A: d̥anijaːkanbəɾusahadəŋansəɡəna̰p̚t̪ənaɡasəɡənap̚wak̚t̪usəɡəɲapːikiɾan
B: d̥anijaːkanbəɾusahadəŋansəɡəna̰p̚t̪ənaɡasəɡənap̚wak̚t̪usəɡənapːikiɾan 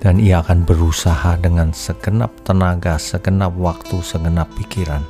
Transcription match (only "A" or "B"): B